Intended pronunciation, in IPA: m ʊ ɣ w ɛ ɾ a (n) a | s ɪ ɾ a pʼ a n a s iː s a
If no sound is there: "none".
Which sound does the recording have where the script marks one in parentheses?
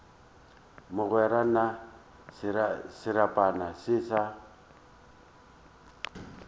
n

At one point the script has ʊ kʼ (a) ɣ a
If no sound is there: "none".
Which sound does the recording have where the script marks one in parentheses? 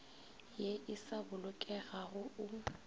ɛ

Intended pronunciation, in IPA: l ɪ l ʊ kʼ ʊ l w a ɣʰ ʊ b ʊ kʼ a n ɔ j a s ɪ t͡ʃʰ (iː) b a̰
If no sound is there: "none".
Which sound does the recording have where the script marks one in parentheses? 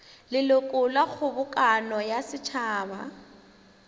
aː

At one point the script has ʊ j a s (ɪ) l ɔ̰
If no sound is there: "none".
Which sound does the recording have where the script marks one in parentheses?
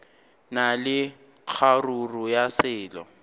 ɪː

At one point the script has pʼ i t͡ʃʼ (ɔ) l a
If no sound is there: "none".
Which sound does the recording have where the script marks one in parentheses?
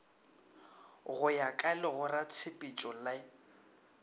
ɔ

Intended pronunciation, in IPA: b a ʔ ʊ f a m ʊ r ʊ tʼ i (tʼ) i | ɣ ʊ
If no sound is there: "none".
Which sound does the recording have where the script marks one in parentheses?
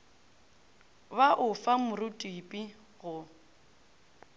pʼ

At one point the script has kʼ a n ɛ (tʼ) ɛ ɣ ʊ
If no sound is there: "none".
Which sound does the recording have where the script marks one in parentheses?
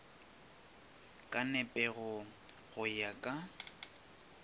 pʼ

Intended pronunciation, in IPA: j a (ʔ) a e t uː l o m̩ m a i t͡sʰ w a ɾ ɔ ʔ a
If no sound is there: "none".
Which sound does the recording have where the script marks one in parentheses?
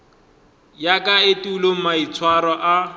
k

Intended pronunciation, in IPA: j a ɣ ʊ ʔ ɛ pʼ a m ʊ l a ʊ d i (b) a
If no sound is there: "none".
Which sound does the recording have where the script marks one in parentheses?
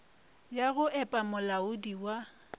w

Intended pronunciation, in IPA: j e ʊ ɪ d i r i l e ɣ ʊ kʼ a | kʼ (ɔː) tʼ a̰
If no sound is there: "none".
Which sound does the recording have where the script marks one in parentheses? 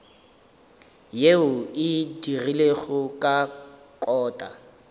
ɔː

